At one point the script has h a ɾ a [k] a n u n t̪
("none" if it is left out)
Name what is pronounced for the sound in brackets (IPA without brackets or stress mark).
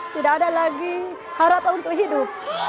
p